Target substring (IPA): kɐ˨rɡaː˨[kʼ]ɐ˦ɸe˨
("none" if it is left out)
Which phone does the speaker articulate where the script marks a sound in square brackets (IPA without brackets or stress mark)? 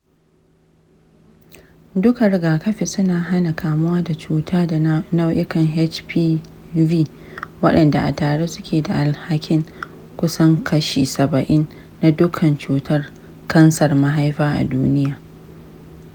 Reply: k